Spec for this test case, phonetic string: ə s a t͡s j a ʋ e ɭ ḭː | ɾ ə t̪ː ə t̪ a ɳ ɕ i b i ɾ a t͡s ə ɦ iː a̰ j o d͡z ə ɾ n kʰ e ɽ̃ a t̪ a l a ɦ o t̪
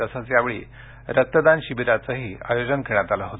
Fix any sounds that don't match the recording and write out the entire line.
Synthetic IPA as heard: ə s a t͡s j a ʋ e ɭ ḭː | ɾ ə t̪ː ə d̪ a n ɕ i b i ɾ a t͡s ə ɦ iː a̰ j o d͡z ə n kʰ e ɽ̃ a t̪ a l a ɦ o t̪